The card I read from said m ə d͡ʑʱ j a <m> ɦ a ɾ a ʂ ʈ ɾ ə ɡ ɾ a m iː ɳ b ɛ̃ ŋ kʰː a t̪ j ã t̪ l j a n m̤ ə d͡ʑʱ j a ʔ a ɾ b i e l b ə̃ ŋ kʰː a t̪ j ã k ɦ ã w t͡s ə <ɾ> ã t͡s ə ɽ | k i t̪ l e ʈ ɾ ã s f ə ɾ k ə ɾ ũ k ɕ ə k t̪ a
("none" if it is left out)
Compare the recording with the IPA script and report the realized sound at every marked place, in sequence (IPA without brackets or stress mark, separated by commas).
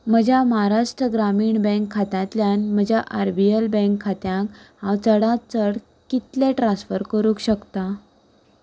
m, ɽ